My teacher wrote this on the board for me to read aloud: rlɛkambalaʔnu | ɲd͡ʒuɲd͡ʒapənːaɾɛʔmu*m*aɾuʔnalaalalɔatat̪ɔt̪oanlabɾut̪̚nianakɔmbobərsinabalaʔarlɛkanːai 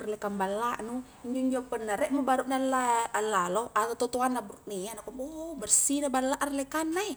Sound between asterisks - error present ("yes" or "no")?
yes